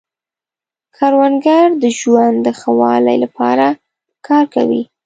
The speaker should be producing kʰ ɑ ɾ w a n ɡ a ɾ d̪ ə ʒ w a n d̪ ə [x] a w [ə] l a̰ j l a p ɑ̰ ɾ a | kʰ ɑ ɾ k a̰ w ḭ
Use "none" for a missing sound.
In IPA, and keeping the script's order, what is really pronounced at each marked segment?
x, ɑ

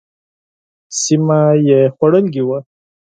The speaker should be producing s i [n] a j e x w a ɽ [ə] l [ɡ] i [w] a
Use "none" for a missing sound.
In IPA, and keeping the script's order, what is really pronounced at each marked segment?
m, ə, ɡ, w

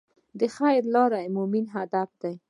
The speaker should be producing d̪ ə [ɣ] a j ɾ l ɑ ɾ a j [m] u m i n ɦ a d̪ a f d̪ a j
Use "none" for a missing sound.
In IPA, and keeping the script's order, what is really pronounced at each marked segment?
x, m

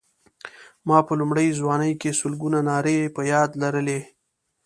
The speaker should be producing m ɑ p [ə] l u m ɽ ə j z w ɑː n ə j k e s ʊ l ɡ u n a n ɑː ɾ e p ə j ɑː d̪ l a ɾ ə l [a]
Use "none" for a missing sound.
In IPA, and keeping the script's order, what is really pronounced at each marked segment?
ə, e

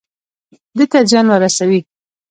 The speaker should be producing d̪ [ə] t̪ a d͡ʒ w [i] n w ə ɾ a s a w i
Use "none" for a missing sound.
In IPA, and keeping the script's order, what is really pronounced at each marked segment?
ə, a

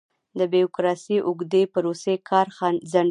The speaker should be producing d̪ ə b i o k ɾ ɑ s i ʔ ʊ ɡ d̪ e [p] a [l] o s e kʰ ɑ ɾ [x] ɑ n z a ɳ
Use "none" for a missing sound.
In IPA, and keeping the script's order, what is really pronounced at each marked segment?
p, ɾ, x

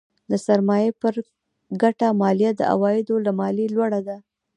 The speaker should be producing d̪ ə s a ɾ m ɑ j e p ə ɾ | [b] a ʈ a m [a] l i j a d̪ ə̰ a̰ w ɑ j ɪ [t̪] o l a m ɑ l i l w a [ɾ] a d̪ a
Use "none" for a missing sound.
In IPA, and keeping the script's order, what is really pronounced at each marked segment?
ɡ, ɑ, d̪, ɽ

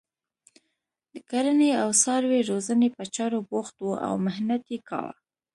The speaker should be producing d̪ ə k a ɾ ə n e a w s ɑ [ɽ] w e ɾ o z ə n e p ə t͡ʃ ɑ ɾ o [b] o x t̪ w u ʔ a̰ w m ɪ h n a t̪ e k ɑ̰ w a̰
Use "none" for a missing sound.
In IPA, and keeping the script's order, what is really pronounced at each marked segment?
ɾ, b

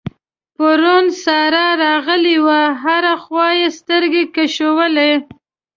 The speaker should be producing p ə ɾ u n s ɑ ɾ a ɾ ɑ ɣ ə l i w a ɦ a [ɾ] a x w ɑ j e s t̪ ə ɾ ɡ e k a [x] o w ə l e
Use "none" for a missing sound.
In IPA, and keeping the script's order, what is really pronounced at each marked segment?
ɾ, ʃ

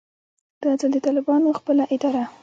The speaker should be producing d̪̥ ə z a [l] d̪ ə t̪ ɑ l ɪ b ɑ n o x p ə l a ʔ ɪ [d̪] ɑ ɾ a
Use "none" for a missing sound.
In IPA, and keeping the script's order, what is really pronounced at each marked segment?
l, d̪

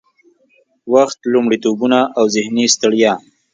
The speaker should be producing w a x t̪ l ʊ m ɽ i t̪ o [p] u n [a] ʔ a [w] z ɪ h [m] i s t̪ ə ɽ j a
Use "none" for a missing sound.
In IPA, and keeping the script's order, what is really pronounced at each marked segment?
b, a, w, n

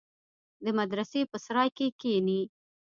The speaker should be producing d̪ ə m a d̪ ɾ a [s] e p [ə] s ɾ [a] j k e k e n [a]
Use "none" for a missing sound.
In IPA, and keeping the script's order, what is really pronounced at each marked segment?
s, ə, ɑ, i

